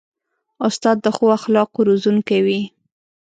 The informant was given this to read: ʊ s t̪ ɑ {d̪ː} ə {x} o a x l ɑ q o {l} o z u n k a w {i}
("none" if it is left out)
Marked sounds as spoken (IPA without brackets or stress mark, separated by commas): d̪ː, x, ɾ, i